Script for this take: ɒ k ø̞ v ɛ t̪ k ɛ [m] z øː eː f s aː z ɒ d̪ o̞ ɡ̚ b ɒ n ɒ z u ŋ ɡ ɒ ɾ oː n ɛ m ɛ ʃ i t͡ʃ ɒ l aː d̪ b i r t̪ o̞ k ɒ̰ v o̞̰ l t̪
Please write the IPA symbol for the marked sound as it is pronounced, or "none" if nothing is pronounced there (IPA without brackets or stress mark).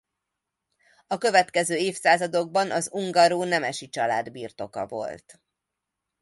none